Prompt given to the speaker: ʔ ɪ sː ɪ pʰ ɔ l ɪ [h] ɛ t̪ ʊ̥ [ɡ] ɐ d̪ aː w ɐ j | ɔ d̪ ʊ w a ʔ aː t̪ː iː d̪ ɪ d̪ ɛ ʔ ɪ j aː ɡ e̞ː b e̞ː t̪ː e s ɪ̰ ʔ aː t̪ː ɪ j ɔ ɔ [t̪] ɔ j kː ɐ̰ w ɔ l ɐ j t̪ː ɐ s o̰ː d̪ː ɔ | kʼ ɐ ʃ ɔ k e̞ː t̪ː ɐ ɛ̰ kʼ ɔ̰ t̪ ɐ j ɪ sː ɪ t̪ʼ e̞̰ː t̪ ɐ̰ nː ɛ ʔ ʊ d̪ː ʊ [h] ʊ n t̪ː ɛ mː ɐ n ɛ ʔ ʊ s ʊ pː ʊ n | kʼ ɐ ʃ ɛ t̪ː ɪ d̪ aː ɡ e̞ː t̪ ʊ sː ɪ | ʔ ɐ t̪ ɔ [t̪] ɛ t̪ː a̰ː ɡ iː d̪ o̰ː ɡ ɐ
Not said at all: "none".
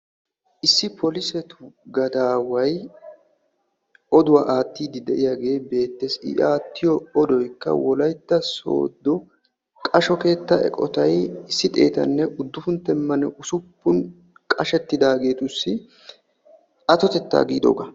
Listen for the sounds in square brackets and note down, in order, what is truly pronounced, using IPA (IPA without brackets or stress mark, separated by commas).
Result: s, ɡ, d̪, f, t̪